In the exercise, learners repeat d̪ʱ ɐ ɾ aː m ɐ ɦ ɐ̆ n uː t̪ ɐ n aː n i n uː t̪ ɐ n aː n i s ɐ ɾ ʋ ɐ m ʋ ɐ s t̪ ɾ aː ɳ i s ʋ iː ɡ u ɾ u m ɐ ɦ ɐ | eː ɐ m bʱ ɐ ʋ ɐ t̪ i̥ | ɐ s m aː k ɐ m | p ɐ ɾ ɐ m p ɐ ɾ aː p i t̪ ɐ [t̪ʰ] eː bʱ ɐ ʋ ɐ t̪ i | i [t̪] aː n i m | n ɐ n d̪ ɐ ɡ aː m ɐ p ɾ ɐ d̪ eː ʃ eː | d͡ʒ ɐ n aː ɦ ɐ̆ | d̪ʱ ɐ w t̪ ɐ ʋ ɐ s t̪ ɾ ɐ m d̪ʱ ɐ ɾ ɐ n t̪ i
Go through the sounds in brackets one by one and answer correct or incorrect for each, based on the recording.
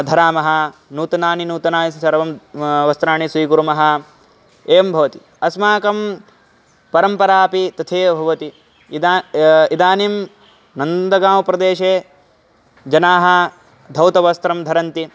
correct, incorrect: d̪

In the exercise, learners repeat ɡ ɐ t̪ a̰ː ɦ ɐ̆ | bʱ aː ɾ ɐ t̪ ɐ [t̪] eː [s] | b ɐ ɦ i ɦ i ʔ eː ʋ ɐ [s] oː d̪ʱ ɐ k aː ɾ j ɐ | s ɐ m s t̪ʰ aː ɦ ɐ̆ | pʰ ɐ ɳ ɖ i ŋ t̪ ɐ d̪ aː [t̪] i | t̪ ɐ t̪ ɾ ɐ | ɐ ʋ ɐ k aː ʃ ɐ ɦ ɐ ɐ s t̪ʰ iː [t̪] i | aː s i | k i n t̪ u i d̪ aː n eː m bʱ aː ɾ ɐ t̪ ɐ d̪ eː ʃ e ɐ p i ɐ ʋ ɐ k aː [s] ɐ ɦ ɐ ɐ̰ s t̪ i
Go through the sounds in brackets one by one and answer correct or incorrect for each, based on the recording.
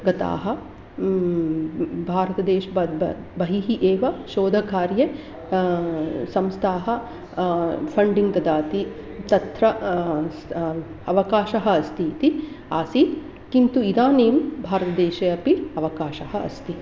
incorrect: d̪, incorrect: ʃ, incorrect: ʃ, correct, correct, incorrect: ʃ

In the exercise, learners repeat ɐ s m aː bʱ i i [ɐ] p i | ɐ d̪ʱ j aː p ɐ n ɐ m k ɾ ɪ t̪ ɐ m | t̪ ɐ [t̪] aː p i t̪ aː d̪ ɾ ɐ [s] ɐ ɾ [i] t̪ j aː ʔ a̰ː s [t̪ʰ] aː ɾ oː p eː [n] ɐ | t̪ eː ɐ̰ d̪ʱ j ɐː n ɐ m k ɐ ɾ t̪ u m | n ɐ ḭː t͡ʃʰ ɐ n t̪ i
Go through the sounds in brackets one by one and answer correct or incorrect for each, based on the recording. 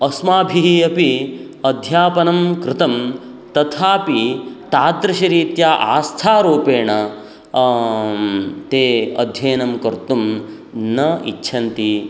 correct, incorrect: t̪ʰ, incorrect: ʃ, incorrect: iː, correct, incorrect: ɳ

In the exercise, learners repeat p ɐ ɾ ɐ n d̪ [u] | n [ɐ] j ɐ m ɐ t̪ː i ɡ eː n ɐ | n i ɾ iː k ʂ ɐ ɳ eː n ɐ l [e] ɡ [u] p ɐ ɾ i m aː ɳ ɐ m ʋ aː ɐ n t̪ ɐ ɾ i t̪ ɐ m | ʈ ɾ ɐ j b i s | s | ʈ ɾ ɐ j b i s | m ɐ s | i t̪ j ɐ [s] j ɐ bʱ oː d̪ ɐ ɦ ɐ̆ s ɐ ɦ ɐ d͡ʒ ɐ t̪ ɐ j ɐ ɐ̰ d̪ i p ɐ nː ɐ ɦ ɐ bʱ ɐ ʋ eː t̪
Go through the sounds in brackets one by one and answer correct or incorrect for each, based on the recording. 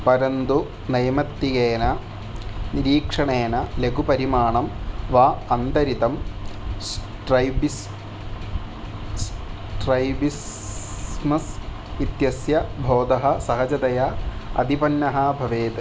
correct, correct, correct, correct, correct

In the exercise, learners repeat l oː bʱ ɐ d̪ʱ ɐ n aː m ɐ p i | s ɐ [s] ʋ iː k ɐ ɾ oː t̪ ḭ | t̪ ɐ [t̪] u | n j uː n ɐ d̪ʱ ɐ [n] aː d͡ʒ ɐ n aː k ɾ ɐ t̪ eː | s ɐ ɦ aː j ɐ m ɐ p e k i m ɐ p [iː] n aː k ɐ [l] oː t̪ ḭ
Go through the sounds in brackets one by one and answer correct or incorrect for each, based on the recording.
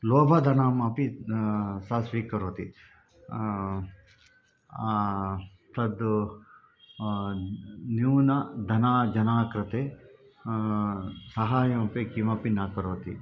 correct, incorrect: d̪, correct, incorrect: i, incorrect: ɾ

